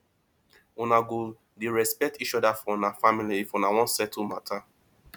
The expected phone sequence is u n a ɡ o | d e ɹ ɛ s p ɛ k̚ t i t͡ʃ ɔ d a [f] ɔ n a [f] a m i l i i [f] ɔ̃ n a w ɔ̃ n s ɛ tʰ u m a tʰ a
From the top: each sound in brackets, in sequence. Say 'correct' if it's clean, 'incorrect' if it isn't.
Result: correct, correct, correct

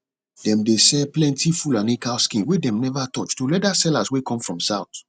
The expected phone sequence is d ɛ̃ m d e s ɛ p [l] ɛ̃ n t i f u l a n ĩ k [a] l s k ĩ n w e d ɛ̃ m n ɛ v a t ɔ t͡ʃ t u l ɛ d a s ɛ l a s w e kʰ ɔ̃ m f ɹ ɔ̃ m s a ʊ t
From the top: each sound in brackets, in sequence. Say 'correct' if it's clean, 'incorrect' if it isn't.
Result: correct, correct

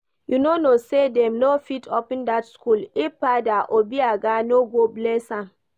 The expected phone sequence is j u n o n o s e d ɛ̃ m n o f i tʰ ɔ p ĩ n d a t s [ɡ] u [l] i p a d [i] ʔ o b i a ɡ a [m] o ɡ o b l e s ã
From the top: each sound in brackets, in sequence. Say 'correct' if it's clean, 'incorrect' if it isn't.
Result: incorrect: k, correct, incorrect: a, incorrect: n

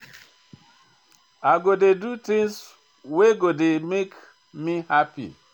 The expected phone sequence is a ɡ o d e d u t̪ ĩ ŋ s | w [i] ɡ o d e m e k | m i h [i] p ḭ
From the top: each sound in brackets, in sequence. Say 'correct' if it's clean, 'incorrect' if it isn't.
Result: incorrect: e, incorrect: a

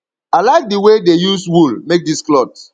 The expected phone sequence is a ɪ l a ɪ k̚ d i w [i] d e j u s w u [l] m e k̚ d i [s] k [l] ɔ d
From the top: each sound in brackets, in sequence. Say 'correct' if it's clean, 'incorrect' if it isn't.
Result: incorrect: e, correct, correct, correct

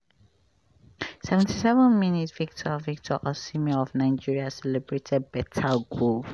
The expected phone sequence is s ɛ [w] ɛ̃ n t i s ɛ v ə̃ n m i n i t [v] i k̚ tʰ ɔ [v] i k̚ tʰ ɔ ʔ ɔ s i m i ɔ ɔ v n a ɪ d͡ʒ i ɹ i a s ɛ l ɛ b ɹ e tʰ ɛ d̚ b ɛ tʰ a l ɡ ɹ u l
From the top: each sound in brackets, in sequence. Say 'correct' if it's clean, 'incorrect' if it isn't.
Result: incorrect: v, correct, correct

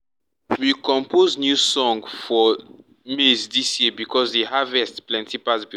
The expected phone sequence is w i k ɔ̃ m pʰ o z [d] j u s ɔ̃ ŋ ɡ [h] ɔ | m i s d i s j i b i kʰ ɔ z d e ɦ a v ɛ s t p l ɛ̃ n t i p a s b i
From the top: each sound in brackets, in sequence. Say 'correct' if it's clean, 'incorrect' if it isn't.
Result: incorrect: n, incorrect: f

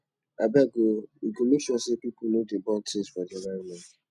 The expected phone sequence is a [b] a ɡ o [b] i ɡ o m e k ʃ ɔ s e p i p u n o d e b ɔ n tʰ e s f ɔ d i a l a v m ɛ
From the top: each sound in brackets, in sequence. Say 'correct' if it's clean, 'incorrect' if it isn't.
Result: correct, incorrect: none

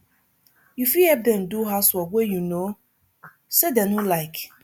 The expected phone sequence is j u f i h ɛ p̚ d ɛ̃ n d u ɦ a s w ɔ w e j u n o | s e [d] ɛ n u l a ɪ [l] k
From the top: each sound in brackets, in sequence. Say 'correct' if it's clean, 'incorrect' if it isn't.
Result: correct, incorrect: none

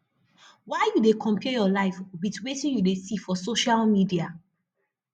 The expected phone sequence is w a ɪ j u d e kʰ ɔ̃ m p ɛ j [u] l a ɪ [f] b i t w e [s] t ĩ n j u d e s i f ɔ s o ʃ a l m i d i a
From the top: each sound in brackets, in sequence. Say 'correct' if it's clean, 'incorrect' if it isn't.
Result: incorrect: ɔ, correct, incorrect: none

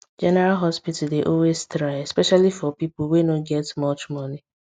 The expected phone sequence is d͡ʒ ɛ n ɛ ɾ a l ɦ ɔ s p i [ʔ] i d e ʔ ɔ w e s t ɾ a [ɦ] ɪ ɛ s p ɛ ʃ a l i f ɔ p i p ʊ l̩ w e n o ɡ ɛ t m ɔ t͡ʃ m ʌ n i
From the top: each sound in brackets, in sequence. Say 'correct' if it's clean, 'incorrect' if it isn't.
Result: incorrect: t, incorrect: none

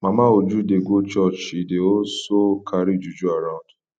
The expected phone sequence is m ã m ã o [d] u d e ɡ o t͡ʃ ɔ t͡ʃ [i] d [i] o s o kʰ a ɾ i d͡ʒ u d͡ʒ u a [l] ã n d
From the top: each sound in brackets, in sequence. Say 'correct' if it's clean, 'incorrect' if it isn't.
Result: incorrect: d͡ʒ, correct, incorrect: e, incorrect: ɾ

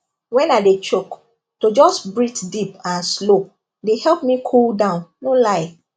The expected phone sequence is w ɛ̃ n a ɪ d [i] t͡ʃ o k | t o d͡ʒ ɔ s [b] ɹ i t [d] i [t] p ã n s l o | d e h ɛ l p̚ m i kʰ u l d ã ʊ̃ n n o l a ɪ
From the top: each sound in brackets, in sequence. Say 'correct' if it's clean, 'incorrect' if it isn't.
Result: incorrect: e, correct, correct, incorrect: none

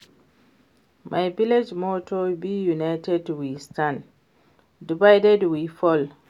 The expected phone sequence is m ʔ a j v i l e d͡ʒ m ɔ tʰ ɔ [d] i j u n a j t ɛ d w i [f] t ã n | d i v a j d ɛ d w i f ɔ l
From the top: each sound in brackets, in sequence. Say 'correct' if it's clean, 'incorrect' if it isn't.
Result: incorrect: b, incorrect: s

